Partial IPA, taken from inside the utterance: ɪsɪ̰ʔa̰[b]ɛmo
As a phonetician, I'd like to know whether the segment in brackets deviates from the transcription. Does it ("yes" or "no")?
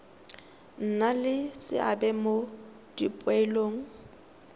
no